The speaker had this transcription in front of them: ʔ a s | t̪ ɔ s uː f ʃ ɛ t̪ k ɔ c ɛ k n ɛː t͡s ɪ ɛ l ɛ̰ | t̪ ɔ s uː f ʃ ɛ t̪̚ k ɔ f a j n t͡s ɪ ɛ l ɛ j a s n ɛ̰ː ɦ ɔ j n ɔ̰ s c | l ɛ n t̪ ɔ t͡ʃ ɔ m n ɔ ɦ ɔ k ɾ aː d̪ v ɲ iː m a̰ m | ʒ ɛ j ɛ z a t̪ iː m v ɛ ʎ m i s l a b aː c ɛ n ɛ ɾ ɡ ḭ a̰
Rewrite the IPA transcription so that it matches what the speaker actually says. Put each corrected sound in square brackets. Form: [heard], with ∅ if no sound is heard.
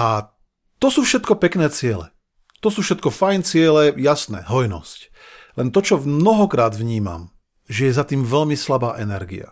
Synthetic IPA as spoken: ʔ a [∅] | t̪ ɔ s uː f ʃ ɛ t̪ k ɔ [p] ɛ k n ɛː t͡s ɪ ɛ l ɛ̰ | t̪ ɔ s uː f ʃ ɛ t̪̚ k ɔ f a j n t͡s ɪ ɛ l ɛ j a s n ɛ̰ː ɦ ɔ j n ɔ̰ s c | l ɛ n t̪ ɔ t͡ʃ ɔ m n ɔ ɦ ɔ k ɾ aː d̪ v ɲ iː m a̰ m | ʒ ɛ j ɛ z a t̪ iː m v ɛ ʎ m i s l a b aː [ʔ] ɛ n ɛ ɾ ɡ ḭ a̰